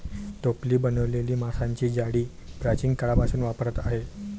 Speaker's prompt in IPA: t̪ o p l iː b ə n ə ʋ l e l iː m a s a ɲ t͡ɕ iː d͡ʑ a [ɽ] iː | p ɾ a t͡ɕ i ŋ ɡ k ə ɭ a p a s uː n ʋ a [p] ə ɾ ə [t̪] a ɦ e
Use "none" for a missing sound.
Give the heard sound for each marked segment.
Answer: ɽ, p, t̪

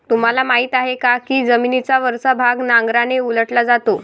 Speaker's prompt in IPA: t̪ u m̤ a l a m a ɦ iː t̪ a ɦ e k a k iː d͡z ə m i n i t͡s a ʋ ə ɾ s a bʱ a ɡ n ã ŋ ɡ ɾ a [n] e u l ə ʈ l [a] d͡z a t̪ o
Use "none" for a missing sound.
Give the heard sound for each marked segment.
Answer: n, a

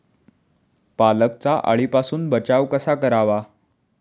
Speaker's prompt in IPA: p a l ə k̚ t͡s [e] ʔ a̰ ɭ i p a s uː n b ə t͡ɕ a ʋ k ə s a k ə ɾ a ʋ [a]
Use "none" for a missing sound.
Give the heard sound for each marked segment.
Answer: a, a

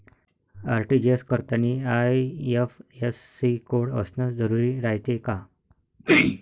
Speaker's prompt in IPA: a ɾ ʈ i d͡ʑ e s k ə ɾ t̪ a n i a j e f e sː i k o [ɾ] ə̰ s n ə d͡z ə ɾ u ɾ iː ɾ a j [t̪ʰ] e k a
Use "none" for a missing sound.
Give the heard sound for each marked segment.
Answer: ɽ, t̪

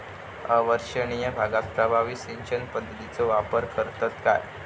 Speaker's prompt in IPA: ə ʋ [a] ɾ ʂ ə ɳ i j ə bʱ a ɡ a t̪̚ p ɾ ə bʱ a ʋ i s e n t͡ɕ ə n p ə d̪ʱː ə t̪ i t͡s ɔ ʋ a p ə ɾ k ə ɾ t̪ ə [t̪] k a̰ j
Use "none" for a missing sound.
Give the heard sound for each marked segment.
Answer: ə, t̪

